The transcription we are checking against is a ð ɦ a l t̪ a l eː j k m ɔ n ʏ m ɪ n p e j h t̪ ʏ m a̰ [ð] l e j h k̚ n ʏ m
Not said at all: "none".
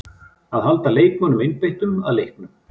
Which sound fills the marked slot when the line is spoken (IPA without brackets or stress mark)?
ð